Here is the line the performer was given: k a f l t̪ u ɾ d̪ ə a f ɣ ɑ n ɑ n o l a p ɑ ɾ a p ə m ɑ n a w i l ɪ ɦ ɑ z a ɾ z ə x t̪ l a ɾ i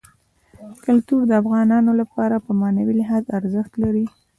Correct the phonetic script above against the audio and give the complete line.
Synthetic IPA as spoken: k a l t̪ u ɾ d̪ ə a f ɣ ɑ n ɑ n o l a p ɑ ɾ a p ə m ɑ n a w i l ɪ ɦ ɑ z a ɾ z ə x t̪ l a ɾ i